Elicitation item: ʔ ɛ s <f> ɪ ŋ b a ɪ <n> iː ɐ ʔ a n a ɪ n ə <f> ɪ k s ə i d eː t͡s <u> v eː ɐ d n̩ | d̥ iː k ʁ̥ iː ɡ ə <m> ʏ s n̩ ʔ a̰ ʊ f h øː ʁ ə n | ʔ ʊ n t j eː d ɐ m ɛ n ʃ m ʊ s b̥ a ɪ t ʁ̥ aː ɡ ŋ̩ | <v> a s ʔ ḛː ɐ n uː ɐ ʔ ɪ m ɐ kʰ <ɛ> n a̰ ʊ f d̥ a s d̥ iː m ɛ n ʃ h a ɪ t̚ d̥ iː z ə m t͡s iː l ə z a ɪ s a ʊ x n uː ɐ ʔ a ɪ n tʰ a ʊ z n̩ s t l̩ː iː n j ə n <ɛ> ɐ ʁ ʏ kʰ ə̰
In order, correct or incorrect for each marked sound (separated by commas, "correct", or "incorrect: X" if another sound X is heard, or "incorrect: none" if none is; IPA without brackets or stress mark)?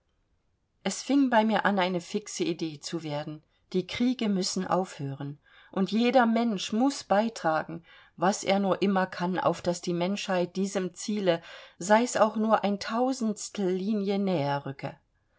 correct, incorrect: m, correct, correct, correct, correct, incorrect: a, incorrect: ɛː